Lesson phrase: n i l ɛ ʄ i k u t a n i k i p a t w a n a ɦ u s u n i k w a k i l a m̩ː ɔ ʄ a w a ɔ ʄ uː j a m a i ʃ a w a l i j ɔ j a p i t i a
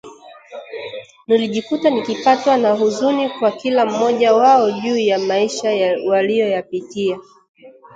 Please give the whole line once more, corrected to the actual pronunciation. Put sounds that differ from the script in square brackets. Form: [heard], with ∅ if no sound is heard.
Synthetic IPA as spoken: n i l [i] ʄ i k u t a n i k i p a t w a n a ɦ u [z] u n i k w a k i l a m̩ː ɔ ʄ a w a ɔ ʄ uː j a m a i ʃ a w a l i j ɔ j a p i t i a